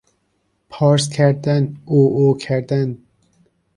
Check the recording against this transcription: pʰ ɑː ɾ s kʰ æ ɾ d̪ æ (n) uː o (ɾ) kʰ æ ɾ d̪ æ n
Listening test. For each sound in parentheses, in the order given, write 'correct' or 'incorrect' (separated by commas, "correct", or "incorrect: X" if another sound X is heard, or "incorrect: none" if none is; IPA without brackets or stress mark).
correct, incorrect: none